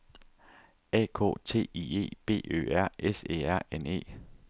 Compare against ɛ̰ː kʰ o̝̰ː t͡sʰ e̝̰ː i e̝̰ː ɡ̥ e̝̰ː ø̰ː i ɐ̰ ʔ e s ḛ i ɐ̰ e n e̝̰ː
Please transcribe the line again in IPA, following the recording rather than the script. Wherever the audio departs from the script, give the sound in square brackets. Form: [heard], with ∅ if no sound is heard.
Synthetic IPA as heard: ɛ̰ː kʰ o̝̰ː t͡sʰ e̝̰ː i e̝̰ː [b̥] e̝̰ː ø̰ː [æ] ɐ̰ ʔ e s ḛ [æ] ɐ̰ e n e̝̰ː

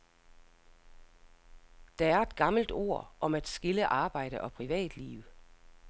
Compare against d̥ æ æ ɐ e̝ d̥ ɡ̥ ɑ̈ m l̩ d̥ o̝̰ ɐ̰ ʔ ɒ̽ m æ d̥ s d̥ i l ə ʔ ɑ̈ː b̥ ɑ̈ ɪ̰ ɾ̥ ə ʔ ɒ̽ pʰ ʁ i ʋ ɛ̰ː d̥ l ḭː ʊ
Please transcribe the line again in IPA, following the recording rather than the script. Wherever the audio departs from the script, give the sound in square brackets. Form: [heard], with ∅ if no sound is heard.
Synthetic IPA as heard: d̥ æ æ ɐ e̝ d̥ ɡ̥ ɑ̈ m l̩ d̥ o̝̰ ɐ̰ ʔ ɒ̽ m æ d̥ s [ɡ̥] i l ə ʔ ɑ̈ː b̥ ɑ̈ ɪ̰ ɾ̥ ə ʔ ɒ̽ pʰ ʁ i ʋ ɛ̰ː d̥ l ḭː ʊ

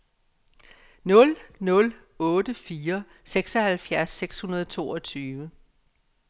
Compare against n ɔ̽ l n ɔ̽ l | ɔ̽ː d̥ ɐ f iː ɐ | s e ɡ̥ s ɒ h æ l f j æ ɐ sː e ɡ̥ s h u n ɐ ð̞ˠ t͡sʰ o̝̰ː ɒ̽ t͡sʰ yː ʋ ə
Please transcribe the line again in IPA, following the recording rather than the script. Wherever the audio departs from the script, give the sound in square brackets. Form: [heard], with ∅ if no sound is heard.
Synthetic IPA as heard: n ɔ̽ l n ɔ̽ l | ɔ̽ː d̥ [ə] f iː ɐ | s e ɡ̥ s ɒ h æ l f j æ ɐ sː e ɡ̥ s h u n ɐ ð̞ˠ t͡sʰ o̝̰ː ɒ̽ t͡sʰ yː ʋ ə

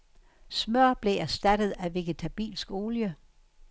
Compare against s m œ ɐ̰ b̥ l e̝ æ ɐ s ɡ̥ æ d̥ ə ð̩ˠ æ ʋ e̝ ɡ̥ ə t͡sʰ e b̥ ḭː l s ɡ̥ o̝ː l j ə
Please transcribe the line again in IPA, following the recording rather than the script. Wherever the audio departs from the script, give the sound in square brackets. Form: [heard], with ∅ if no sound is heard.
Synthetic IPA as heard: s m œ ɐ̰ b̥ l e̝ æ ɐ s [d̥] æ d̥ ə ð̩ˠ æ ʋ e̝ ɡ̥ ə t͡sʰ [æ] b̥ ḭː l s ɡ̥ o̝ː l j ə

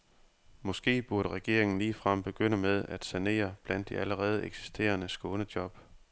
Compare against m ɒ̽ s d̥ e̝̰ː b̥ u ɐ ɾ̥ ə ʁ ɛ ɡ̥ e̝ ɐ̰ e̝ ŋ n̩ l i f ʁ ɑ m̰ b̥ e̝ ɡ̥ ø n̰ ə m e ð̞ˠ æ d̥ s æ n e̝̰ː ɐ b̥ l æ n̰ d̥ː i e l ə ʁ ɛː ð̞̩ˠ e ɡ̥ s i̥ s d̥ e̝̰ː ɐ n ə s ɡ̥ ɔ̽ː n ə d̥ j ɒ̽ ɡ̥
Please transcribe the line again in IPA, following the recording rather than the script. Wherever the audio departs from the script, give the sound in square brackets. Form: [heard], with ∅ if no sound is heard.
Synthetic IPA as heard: m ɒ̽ s [ɡ̥] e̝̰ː b̥ u ɐ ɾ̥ ə ʁ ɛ ɡ̥ e̝ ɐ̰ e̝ ŋ n̩ l [iː] f ʁ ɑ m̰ b̥ e̝ ɡ̥ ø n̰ ə m e ð̞ˠ æ d̥ s æ n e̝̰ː ɐ b̥ l æ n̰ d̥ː i [æ] l ə ʁ ɛː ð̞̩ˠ e ɡ̥ s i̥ s d̥ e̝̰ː ɐ n ə s ɡ̥ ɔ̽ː n ə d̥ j ɒ̽ [b̥]

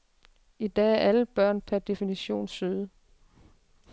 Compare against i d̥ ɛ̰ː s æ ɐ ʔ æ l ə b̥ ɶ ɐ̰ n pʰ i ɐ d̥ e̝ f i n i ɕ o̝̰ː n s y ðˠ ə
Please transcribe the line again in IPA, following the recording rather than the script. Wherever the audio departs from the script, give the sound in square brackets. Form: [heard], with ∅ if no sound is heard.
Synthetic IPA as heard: i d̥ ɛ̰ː [∅] æ ɐ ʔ æ l ə b̥ ɶ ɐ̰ n pʰ [æ] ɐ d̥ e̝ f i n i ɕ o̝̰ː n s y ðˠ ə

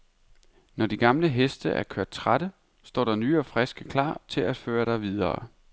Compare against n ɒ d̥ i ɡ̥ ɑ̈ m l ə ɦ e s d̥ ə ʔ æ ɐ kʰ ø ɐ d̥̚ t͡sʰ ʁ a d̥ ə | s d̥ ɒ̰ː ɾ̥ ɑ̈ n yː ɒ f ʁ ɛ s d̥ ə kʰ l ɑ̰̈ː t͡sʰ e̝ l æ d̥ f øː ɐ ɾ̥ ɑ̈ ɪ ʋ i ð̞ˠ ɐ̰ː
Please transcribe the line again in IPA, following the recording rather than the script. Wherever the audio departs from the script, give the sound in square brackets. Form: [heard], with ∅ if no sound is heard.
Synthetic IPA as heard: n ɒ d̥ i ɡ̥ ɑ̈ m l ə ɦ e s d̥ ə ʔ æ ɐ kʰ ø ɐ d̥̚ t͡sʰ ʁ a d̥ ə | s d̥ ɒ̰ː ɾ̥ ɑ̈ n yː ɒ f ʁ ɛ s [ɡ̥] ə kʰ l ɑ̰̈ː t͡sʰ e̝ l æ d̥ f øː ɐ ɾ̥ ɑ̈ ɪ ʋ i ð̞ˠ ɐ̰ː

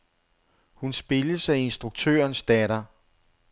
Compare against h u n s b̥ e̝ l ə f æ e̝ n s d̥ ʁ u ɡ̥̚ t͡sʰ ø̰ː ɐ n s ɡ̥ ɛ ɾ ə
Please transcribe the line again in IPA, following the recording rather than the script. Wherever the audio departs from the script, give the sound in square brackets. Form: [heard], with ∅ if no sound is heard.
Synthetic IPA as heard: h u n s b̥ e̝ l ə [s] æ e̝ n s d̥ ʁ u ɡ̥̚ t͡sʰ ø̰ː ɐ n s [d̥] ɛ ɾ [ɐ]

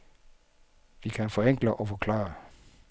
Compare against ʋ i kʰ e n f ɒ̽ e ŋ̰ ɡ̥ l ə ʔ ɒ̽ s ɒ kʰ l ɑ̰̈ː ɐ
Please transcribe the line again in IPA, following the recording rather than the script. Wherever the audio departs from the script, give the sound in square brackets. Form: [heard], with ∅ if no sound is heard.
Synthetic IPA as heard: ʋ i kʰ [æ] n f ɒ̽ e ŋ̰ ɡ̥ l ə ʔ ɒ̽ [f] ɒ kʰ l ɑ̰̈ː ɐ

